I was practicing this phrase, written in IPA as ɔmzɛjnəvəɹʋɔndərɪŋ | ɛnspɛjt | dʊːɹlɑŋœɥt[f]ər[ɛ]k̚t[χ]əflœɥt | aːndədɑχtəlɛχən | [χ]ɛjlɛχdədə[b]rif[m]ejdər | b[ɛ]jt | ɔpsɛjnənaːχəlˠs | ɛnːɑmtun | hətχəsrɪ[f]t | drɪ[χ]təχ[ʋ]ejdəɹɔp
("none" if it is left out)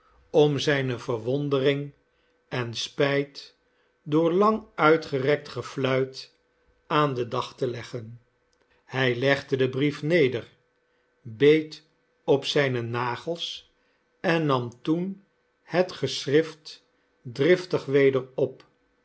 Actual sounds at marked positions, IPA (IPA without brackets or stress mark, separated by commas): χ, ɛ, χ, h, b, n, e, f, f, ʋ